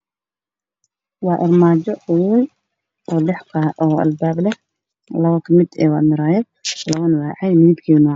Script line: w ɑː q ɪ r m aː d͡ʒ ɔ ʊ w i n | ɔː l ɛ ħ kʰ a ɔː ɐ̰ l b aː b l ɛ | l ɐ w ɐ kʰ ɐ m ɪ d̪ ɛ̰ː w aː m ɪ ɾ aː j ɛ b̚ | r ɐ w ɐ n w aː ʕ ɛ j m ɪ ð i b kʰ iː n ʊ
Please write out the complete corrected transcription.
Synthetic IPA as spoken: w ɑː ʔ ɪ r m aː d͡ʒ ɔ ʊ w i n | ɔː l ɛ ħ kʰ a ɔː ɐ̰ l b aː b l ɛ | l ɐ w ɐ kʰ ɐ m ɪ d̪ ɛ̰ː w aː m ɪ ɾ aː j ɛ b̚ | l ɐ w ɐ n w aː ʕ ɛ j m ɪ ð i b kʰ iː n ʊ